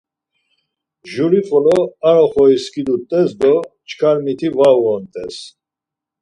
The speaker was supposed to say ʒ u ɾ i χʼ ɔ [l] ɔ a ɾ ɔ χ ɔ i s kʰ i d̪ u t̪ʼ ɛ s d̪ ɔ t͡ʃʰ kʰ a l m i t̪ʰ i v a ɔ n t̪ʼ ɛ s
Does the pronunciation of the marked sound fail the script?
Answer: no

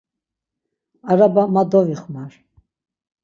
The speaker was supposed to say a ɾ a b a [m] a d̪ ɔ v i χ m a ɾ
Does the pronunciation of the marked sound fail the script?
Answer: no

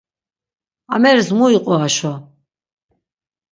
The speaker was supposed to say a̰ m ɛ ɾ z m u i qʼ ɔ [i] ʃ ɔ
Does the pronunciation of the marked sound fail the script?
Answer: yes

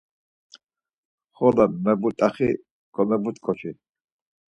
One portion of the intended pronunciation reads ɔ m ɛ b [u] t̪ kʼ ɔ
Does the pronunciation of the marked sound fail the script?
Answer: no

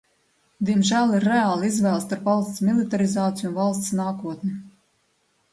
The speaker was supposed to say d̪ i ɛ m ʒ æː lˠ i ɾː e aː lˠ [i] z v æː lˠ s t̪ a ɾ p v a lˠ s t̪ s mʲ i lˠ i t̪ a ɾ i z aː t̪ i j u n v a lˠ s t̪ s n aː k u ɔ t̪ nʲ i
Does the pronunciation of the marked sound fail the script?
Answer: no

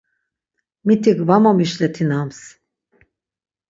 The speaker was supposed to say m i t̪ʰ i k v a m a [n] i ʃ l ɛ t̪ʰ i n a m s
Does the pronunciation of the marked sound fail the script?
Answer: yes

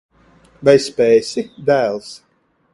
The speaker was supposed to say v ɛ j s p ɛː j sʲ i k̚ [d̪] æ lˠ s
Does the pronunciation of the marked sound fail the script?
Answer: no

